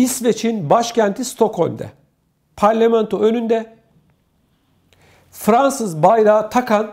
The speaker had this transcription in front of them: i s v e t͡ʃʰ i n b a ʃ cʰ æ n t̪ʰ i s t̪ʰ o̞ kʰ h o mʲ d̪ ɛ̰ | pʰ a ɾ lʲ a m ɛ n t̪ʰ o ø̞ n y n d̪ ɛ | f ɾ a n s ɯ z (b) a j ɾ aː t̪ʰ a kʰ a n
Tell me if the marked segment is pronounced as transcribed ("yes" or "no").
yes